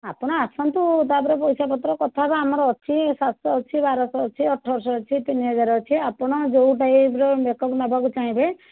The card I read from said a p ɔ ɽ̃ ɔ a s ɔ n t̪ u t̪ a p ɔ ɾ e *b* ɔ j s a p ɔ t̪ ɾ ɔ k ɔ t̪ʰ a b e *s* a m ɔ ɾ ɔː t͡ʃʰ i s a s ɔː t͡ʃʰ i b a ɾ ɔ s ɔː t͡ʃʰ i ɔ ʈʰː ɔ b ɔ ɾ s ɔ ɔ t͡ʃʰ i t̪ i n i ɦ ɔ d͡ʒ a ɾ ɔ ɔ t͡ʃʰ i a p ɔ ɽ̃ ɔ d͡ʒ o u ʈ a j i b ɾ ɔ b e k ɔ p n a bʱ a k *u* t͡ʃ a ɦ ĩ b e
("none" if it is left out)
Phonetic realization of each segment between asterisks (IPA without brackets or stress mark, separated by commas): p, none, u